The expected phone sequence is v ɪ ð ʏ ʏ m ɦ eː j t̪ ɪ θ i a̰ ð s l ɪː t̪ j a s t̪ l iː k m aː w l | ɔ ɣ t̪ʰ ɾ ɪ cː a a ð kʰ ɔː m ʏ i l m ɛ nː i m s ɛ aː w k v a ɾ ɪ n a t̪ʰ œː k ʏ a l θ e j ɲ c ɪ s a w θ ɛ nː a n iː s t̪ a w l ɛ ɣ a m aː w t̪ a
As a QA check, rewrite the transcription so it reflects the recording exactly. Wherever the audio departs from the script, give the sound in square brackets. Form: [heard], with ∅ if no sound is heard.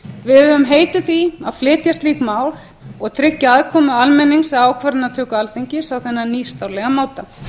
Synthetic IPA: v ɪ ð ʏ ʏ m ɦ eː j t̪ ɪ θ i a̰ ð [f] l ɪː t̪ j a s t̪ l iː k m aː w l | ɔ ɣ t̪ʰ ɾ ɪ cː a a ð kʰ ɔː m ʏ [a] l m ɛ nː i [ŋ] s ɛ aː w [kʰ] v a ɾ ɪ n a t̪ʰ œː k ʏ a l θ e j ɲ c ɪ s a w θ ɛ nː a n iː s t̪ a w l ɛ ɣ a m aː w t̪ a